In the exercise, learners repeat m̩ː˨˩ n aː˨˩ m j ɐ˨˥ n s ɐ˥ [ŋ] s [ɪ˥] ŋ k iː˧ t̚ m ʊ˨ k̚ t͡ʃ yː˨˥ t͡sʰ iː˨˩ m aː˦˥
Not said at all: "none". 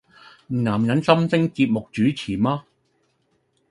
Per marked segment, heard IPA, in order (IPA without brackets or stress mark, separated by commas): m, ɪ˥